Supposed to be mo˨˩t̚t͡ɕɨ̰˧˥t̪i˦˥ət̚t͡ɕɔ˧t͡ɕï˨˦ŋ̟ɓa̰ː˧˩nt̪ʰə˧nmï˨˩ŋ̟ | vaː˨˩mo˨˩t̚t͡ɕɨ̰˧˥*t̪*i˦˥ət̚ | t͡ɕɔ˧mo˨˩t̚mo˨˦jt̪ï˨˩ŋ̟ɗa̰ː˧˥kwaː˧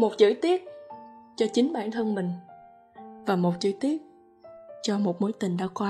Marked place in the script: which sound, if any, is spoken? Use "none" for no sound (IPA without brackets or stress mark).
t̪